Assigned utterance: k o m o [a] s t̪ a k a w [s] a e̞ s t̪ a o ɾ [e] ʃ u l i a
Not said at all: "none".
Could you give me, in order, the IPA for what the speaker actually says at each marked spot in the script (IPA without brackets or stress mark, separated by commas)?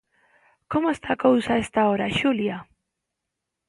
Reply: e, s, a